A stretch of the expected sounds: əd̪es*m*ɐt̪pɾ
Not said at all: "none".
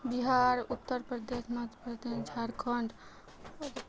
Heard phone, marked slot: m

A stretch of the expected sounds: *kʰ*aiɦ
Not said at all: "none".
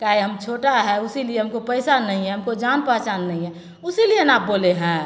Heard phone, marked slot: k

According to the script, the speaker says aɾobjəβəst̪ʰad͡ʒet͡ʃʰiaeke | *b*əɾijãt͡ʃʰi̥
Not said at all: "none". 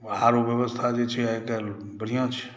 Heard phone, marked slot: b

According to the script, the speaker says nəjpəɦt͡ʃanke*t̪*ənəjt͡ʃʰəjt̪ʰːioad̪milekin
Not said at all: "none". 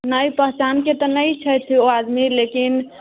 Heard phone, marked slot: t̪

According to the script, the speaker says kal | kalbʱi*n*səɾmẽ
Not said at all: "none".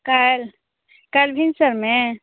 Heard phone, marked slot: n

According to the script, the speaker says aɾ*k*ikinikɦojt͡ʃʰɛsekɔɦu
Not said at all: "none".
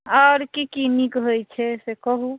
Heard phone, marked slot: k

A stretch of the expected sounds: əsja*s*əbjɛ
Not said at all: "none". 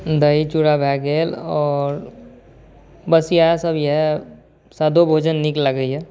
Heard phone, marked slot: s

